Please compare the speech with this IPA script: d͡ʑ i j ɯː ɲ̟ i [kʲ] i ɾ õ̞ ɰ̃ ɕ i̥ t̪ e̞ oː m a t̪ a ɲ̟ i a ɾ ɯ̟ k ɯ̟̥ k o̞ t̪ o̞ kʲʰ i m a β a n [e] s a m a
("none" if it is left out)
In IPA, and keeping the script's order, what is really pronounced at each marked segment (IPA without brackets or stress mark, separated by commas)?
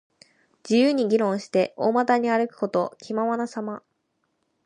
ɡʲ, a